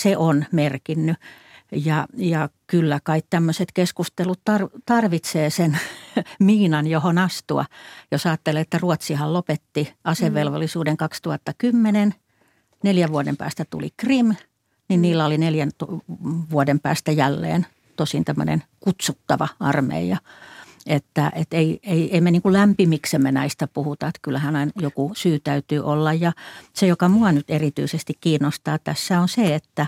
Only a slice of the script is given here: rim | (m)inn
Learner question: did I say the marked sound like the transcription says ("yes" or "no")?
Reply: no